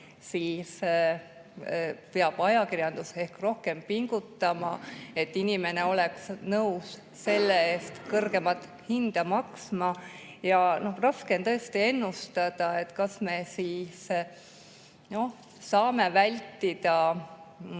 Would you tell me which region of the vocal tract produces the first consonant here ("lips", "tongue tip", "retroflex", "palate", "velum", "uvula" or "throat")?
tongue tip